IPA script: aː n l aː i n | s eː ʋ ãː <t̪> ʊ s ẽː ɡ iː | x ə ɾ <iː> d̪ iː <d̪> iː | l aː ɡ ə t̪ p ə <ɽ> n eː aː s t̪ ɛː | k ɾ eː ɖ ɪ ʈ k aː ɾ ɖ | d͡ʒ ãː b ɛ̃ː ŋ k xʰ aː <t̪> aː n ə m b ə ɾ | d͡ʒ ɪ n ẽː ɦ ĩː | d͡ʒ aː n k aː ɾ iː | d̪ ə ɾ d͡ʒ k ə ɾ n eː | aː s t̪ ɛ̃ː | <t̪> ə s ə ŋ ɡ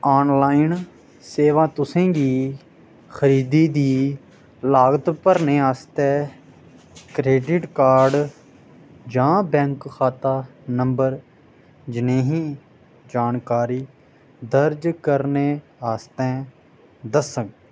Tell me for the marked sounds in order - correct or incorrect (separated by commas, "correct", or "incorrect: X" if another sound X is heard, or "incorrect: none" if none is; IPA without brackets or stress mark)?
correct, correct, correct, incorrect: ɾ, correct, incorrect: d̪